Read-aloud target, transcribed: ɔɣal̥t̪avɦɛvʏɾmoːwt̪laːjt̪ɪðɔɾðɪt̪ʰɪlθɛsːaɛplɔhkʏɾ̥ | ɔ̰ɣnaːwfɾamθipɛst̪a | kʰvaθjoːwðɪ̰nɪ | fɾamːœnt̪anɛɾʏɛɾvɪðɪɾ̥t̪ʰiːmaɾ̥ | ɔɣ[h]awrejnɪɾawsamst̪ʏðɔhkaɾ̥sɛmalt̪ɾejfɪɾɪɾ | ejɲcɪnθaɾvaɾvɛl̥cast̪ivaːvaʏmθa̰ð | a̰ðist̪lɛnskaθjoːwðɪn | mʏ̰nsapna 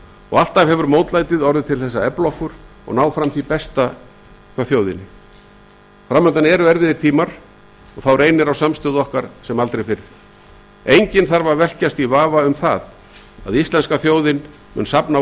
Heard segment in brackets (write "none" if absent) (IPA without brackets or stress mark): θ